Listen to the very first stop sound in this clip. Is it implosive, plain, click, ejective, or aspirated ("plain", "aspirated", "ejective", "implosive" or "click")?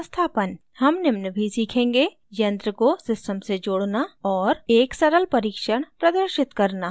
aspirated